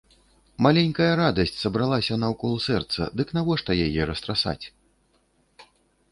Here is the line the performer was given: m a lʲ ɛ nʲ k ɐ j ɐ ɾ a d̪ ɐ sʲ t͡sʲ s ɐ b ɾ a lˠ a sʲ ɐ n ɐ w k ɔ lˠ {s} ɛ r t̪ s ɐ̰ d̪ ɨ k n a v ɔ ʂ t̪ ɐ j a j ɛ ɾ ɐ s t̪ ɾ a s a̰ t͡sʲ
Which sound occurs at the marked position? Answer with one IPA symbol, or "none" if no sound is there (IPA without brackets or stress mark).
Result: s